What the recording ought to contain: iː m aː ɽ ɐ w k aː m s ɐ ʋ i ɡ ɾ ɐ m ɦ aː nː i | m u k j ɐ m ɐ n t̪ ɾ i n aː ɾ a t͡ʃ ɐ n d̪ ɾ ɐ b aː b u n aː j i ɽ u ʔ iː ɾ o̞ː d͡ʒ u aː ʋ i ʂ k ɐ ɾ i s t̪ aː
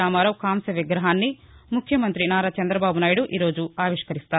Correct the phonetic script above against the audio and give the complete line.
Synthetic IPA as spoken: aː m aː ɾ ɐ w k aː m s ɐ ʋ i ɡ ɾ ɐ ɦ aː nː i | m u kʰ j ɐ m ɐ n t̪ ɾ i n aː ɾ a t͡ʃ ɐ n d̪ ɾ ɐ b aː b u n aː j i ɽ u ʔ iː ɾ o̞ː d͡ʒ u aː ʋ i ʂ k ɐ ɾ i s t̪ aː